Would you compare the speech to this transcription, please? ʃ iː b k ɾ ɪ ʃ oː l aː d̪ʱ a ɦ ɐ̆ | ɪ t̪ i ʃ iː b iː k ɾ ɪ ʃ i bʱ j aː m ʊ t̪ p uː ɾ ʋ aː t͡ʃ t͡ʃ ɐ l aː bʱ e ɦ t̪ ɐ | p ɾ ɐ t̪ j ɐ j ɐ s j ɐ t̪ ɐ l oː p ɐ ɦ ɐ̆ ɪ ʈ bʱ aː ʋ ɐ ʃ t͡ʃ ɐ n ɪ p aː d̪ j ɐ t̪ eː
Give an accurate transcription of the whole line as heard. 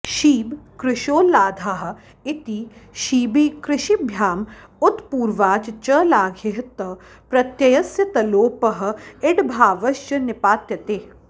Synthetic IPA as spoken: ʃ iː b k ɾ ɪ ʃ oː l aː d̪ʱ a ɦ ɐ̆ | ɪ t̪ i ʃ iː b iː k ɾ ɪ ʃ i bʱ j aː m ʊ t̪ p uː ɾ ʋ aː t͡ʃ t͡ʃ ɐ l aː ɡʱ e ɦ t̪ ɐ | p ɾ ɐ t̪ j ɐ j ɐ s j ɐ t̪ ɐ l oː p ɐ ɦ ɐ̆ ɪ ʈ bʱ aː ʋ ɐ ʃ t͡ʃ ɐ n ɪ p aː t̪ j ɐ t̪ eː